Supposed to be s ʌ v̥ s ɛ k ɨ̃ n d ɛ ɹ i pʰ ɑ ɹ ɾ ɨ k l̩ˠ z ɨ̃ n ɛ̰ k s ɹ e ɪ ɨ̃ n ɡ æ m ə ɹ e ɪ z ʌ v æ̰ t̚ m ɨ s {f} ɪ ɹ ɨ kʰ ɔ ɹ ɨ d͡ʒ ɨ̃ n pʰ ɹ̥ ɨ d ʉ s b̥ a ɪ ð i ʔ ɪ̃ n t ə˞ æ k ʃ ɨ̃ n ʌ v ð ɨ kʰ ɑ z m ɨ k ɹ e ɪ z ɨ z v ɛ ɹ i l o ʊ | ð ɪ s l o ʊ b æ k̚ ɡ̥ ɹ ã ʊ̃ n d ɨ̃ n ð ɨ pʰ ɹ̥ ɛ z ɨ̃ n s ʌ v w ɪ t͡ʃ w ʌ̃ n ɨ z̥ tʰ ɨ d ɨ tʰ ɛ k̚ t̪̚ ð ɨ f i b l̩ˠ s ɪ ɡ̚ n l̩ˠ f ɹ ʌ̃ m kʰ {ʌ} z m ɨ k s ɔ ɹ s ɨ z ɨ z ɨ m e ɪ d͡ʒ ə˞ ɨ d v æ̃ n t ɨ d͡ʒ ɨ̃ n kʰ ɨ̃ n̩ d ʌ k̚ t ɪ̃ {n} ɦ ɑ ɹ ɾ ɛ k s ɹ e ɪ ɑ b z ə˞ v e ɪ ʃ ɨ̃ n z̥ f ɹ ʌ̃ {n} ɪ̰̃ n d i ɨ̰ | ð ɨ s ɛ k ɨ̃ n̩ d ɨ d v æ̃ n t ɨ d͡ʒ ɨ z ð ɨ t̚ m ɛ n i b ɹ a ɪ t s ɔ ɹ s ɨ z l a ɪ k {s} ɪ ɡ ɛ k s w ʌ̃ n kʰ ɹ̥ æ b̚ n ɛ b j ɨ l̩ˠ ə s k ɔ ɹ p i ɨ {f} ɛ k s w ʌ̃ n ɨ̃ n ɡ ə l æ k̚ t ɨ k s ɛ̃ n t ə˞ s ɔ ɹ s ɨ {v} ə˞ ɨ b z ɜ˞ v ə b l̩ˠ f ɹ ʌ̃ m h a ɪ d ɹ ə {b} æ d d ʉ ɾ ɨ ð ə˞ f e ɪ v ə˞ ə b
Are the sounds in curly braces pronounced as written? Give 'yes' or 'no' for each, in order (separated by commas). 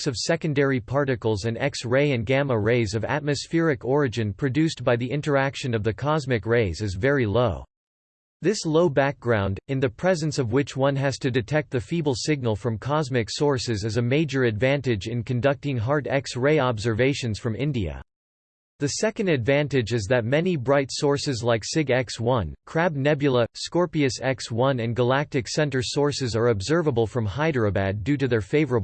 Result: yes, no, no, no, yes, no, no, yes